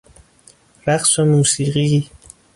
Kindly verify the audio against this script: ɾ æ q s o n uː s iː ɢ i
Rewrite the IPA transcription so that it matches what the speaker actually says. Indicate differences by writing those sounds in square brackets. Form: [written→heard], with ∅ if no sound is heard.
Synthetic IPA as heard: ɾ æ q s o [n→m] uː s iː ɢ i